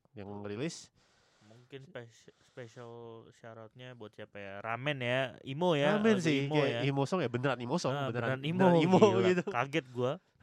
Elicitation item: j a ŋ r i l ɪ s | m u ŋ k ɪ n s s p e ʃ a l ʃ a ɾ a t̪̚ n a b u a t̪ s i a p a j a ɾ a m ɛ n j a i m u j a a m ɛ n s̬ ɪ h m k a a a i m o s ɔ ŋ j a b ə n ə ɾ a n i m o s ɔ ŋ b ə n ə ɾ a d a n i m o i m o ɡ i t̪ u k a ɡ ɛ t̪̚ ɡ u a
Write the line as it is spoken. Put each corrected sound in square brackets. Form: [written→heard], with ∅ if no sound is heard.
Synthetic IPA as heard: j a ŋ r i l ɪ s | m u ŋ k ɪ n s s p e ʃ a l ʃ a ɾ a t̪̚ [n→ɲ] a b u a t̪ s i a p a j a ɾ a m ɛ n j a i m [u→o] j a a m ɛ n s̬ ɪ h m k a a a i m o s ɔ ŋ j a b ə n ə ɾ a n i m o s ɔ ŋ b ə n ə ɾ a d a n i m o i m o ɡ i t̪ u k a ɡ ɛ t̪̚ ɡ u a